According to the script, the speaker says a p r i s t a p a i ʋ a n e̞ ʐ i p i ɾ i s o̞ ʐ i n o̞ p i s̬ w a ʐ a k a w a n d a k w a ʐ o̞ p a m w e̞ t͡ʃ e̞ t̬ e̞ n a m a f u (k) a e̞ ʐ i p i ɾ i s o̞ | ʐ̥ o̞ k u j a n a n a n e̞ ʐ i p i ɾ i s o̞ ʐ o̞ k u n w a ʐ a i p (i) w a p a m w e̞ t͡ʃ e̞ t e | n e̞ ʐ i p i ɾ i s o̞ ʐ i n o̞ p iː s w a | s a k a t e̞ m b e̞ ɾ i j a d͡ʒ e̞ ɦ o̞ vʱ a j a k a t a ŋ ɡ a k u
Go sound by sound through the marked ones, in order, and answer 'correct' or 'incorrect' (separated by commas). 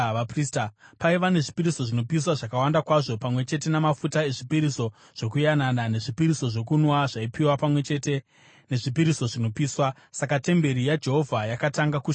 incorrect, correct